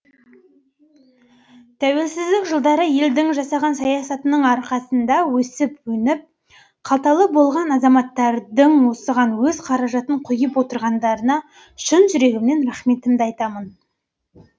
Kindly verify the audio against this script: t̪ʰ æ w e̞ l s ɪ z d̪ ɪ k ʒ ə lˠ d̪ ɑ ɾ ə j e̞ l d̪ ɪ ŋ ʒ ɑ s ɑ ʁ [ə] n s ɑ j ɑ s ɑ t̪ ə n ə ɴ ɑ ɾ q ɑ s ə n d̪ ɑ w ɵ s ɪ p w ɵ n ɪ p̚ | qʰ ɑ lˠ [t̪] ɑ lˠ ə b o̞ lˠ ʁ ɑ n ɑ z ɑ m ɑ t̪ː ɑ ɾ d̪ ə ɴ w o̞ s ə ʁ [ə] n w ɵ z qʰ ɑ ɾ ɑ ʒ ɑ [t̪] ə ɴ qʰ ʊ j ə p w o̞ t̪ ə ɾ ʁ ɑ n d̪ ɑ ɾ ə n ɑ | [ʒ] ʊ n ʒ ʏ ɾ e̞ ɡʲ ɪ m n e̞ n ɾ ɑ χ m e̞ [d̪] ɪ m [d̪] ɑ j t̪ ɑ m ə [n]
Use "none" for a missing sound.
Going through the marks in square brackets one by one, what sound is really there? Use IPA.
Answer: ɑ, t̪, ɑ, t̪, ʃ, t̪, d̪, n

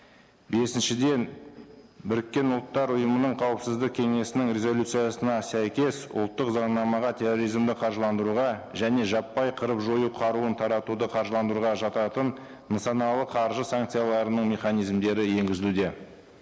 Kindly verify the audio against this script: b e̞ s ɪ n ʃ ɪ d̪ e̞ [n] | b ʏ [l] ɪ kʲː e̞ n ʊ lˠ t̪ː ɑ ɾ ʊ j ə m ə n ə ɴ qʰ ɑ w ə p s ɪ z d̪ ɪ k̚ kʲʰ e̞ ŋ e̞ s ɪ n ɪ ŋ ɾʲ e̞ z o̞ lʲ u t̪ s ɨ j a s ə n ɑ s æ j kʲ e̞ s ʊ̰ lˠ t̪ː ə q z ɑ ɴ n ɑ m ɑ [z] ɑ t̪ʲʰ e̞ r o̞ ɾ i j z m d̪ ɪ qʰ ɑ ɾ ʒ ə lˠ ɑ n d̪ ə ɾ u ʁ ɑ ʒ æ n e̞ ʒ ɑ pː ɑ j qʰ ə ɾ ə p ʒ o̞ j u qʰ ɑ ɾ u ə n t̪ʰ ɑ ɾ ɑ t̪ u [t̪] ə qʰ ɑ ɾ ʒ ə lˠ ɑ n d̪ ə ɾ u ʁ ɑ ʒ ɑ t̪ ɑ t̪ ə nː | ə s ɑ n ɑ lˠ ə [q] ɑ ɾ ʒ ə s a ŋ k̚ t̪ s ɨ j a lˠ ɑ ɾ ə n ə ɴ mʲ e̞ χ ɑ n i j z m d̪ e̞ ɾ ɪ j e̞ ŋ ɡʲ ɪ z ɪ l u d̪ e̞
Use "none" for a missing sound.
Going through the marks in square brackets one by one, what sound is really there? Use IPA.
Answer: n, ɾ, ʁ, d̪, qʰ

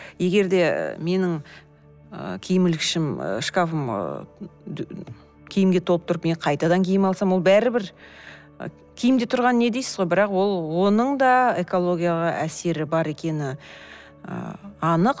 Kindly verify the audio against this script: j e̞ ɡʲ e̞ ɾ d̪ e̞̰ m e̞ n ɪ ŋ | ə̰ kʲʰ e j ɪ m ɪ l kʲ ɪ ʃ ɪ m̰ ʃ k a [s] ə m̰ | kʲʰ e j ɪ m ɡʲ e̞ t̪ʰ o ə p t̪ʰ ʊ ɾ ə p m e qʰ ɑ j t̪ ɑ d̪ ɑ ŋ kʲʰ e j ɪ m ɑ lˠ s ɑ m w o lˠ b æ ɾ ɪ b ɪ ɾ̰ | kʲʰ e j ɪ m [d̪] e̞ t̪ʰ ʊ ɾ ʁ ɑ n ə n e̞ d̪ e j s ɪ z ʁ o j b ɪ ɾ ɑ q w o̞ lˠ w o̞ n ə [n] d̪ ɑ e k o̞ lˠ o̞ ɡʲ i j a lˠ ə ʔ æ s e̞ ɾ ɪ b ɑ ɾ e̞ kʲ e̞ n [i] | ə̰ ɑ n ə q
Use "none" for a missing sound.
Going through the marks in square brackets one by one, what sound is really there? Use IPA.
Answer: f, d̪, ɴ, ɪ

